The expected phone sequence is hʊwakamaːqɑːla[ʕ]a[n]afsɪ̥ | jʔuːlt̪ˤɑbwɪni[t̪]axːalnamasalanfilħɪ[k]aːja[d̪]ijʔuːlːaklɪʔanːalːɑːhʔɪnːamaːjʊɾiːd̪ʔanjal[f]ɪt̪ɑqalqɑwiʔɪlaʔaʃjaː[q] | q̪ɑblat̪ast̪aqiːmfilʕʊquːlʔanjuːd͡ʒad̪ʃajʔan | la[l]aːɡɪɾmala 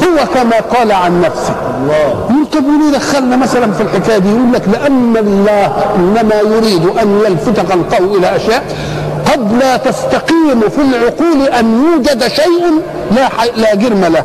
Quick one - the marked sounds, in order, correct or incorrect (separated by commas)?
correct, incorrect, incorrect, correct, correct, correct, incorrect, correct